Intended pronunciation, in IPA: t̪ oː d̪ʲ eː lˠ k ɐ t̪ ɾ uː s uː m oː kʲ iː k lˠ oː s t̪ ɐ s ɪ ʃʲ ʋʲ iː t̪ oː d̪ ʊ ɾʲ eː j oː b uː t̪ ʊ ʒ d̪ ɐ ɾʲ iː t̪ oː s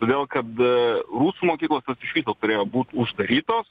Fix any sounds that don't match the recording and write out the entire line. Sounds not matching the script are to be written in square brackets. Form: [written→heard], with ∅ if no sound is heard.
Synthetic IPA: t̪ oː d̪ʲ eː lˠ k ɐ t̪ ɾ uː s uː m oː kʲ iː k lˠ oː s t̪ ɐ s ɪ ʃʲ ʋʲ iː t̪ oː [d̪→t̪] ʊ ɾʲ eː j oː b uː t̪ ʊ ʒ d̪ ɐ ɾʲ iː t̪ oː s